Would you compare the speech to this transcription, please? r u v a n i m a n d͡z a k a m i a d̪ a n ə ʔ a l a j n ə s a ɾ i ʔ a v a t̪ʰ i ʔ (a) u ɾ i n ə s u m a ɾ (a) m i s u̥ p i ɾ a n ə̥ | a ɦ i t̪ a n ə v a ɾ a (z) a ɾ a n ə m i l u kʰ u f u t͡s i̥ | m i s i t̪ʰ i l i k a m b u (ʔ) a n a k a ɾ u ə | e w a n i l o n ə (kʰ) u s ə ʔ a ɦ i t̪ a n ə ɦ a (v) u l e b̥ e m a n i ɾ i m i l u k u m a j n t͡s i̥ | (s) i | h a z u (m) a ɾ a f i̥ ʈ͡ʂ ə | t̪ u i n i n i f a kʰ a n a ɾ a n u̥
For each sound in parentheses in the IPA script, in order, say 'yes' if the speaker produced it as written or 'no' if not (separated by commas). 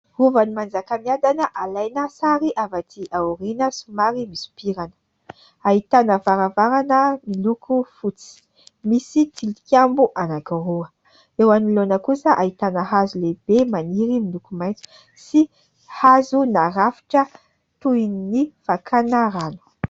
yes, no, no, yes, no, no, yes, no